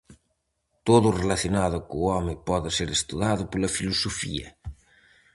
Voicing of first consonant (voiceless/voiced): voiceless